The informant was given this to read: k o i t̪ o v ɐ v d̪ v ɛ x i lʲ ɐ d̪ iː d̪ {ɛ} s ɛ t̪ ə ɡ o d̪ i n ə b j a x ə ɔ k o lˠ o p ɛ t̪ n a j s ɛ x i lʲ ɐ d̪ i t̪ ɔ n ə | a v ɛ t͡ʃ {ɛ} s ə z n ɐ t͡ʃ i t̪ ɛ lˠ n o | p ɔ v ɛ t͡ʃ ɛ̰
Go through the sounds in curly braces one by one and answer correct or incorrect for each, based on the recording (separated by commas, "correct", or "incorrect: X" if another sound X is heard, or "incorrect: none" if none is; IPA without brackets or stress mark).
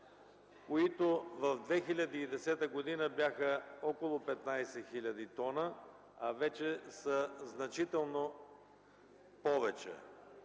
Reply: correct, correct